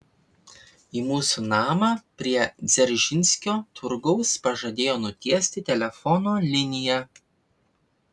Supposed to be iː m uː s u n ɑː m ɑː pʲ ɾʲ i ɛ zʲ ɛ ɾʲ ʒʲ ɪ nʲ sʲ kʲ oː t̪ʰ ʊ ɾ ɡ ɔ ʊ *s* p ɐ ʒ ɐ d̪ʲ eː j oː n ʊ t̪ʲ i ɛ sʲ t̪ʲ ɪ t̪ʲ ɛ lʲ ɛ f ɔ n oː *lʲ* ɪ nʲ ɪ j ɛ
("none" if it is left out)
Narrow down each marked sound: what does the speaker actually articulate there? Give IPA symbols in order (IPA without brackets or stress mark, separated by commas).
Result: s, lʲ